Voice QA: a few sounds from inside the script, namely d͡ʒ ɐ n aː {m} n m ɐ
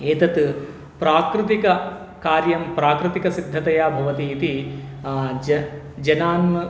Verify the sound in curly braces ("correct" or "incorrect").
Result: incorrect